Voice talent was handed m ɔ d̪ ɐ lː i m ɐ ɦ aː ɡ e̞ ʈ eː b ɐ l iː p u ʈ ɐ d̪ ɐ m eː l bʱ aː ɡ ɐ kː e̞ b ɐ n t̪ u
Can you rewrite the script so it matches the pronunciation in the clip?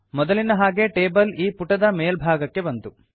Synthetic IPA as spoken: m ɔ d̪ ɐ l i n ɐ ɦ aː ɡ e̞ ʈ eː b ɐ l iː p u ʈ ɐ d̪ ɐ m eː l bʱ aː ɡ ɐ kː e̞ b ɐ n t̪ u